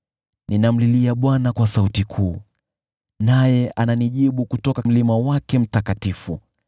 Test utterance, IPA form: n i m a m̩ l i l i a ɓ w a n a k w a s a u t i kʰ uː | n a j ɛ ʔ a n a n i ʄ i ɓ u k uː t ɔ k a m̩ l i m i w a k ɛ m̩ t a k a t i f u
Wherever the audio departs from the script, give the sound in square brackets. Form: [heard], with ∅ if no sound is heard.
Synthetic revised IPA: n i [n] a m̩ l i l i a ɓ w a n a k w a s a u t i kʰ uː | n a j ɛ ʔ a n a n i ʄ i ɓ u k [u] t ɔ k a m̩ l i m [a] w a k ɛ m̩ t a k a t i f u